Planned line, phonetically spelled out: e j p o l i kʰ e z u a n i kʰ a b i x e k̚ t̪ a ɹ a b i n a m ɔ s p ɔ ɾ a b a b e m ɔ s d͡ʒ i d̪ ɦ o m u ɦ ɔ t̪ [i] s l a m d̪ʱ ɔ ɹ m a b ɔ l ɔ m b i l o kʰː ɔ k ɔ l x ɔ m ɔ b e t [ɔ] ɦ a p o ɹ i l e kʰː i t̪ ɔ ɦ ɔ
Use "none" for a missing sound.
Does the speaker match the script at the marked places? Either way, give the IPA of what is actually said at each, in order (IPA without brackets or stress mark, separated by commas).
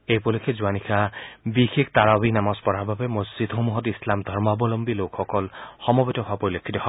i, ɔ